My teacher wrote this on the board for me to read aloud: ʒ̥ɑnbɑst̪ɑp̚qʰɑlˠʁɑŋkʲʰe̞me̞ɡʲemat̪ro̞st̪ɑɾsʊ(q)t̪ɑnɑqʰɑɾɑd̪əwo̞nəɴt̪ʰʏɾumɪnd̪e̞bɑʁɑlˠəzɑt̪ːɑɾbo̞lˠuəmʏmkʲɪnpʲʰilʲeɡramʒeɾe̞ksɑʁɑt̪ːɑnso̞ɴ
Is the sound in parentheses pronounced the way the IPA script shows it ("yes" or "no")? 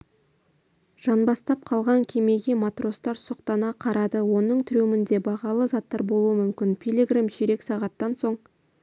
yes